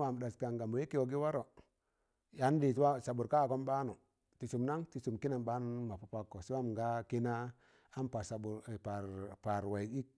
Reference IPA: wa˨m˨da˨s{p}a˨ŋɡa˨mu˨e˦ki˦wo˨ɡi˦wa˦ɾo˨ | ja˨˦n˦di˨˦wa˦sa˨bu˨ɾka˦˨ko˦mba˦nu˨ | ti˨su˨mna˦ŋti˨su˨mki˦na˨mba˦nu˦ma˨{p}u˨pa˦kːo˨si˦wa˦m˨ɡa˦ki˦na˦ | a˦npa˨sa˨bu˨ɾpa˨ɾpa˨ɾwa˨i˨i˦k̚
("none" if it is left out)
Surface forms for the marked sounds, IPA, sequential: k, p

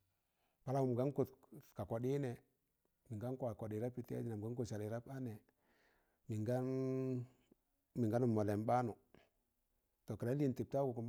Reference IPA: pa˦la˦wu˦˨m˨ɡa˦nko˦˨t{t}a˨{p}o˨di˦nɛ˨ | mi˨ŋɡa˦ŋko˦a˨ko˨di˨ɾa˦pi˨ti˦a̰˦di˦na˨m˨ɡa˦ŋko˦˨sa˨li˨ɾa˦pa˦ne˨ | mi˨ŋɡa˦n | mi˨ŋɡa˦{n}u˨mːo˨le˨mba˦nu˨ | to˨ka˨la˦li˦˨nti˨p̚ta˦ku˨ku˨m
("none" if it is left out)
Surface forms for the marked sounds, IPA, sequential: k, k, n

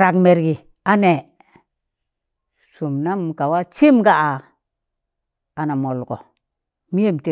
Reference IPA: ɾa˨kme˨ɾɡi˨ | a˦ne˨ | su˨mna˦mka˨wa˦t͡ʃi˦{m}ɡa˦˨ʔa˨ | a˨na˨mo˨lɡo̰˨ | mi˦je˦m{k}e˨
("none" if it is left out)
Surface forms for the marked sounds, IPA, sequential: m, t

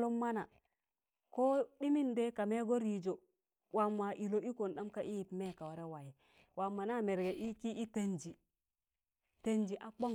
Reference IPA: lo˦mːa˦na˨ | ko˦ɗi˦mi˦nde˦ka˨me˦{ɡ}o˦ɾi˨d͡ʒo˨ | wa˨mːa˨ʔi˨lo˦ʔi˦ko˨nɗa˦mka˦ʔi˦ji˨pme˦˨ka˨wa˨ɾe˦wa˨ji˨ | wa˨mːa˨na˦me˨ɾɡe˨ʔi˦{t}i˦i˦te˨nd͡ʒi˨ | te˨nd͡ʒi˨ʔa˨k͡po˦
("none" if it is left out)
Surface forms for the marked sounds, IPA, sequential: ɡ, k

